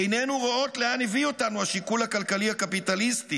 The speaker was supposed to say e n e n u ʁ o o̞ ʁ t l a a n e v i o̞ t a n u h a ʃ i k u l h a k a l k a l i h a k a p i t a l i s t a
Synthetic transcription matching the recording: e n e n u ʁ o o̞ t l e a n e v i o̞ t a n u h a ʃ i k u l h a k a l k a l i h a k a p i t a l i s t i